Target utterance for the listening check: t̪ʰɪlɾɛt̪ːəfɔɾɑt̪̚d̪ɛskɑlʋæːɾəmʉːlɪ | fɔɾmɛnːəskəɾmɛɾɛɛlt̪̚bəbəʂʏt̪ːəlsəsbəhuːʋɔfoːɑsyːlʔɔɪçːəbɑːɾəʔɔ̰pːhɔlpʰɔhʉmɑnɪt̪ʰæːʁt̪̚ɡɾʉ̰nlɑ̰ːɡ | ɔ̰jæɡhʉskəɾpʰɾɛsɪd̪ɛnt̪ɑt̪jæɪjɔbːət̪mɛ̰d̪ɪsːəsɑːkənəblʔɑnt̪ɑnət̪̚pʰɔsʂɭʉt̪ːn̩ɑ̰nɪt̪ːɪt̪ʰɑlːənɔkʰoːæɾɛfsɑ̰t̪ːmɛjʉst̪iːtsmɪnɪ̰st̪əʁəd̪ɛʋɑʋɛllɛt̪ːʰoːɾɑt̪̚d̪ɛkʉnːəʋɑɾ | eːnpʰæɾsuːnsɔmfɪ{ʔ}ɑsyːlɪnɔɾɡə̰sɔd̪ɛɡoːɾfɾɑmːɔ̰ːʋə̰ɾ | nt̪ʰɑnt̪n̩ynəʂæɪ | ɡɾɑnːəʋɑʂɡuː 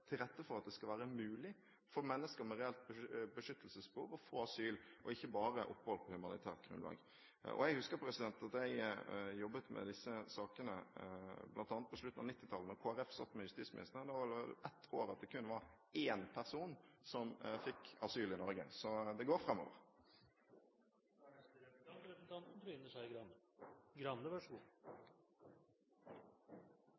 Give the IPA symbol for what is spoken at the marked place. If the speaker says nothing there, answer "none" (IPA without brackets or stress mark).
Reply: k